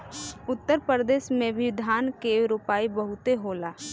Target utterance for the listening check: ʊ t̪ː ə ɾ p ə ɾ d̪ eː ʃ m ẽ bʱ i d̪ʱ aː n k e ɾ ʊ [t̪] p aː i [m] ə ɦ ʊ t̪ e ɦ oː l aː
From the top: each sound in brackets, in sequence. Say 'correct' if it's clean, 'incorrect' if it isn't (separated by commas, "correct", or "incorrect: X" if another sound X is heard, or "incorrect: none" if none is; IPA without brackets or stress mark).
incorrect: none, incorrect: b